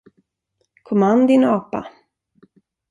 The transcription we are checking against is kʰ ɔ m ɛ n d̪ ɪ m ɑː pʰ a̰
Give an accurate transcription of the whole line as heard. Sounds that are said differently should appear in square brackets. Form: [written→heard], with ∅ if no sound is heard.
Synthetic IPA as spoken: kʰ ɔ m [ɛ→a] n d̪ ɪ [m→n] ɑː [pʰ→p] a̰